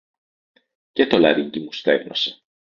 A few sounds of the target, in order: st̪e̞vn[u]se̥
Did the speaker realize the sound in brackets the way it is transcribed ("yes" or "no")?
no